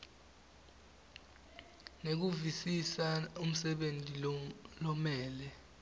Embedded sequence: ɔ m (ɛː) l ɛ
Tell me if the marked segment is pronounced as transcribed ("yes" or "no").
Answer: yes